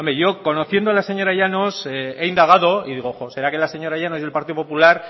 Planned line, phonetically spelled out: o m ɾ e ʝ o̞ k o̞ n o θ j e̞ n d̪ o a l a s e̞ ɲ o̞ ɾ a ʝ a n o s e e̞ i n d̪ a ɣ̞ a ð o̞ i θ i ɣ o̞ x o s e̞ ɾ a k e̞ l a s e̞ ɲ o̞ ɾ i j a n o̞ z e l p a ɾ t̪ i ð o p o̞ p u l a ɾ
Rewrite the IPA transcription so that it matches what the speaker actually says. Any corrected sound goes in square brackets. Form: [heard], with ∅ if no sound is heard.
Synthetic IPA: o m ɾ e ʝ o̞ k o̞ n o θ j e̞ n d̪ o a l a s e̞ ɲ o̞ ɾ a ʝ a n o s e e̞ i n d̪ a ɣ̞ a ð o̞ i [ð] i ɣ o̞ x o s e̞ ɾ a k e̞ l a s e̞ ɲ o̞ ɾ [a] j a n o̞ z e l p a ɾ t̪ i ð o p o̞ p u l a ɾ